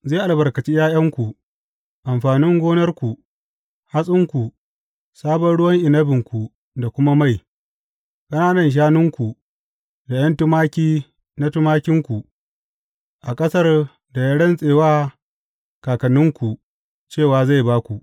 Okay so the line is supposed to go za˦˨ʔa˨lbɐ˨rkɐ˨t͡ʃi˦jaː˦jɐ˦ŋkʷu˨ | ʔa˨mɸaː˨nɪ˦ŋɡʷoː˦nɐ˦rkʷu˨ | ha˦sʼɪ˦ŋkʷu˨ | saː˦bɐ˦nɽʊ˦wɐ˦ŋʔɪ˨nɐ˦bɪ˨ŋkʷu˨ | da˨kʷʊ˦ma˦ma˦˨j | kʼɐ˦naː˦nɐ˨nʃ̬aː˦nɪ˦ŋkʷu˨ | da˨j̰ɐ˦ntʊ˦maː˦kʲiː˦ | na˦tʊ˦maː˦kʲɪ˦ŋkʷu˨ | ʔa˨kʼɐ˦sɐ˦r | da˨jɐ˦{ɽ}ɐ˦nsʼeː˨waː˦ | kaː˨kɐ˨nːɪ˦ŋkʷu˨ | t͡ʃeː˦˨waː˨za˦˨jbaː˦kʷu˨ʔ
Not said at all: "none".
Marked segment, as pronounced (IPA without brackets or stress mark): ɽ